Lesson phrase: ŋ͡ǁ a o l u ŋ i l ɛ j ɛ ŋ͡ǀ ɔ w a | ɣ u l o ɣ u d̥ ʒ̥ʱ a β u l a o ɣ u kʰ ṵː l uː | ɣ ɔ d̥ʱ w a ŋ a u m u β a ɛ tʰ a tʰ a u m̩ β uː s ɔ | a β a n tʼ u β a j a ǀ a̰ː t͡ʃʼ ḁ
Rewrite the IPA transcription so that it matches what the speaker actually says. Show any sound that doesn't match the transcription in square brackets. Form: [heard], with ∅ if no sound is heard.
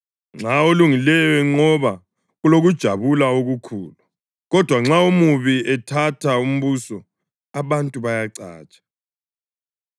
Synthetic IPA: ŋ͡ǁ a o l u ŋ i l ɛ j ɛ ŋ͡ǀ ɔ [β] a | ɣ u l o ɣ u d̥ ʒ̥ʱ a β u l a o ɣ u kʰ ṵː l [u] | ɣ ɔ d̥ʱ w a [ŋ͡ǁ] a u m u β [i] ɛ tʰ a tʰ a u m̩ β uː s ɔ | a β a n tʼ u β a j a ǀ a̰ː t͡ʃʼ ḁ